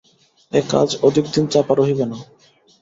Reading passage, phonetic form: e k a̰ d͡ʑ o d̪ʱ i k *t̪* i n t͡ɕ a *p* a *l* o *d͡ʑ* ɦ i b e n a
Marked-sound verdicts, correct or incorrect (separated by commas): incorrect, correct, incorrect, incorrect